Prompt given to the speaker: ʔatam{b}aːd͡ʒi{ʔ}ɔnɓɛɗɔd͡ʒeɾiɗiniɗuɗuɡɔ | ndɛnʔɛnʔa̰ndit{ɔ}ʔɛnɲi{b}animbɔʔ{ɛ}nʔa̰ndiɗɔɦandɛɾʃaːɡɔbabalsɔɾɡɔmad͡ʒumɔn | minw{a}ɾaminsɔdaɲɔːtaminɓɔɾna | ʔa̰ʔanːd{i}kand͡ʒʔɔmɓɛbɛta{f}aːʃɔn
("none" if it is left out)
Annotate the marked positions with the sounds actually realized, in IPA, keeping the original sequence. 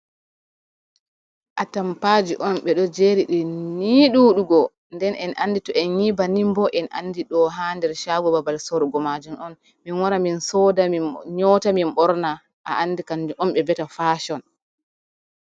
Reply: p, ʔ, ɔ, b, ɛ, a, i, f

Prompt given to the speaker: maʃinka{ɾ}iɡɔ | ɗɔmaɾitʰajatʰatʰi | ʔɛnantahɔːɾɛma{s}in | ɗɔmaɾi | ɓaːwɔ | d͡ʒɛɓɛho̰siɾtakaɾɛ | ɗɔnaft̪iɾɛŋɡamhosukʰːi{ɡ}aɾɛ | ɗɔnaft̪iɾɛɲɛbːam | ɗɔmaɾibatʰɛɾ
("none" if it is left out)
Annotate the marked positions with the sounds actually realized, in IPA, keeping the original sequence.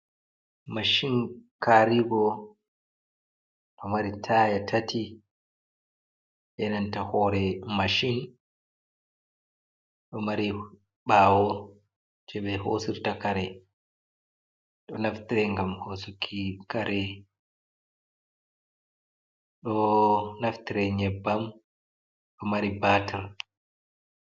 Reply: ɾ, ʃ, k

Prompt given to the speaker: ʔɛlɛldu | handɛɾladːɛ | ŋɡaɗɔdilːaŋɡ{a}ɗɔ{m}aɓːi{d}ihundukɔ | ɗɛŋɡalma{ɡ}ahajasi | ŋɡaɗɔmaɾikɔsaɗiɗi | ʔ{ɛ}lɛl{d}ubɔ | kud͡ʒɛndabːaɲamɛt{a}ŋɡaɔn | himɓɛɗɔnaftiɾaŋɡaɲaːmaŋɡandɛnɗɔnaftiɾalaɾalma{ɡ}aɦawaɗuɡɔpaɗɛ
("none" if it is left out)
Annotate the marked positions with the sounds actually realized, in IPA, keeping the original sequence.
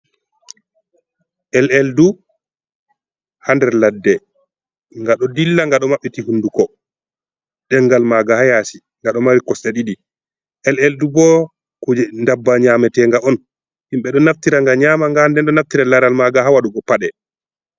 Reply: a, m, t, ɡ, ɛ, d, ɛ, ɡ

